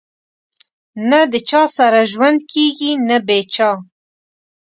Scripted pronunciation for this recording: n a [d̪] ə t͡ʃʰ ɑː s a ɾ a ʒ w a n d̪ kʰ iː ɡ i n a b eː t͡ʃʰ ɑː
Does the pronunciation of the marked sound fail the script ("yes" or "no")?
no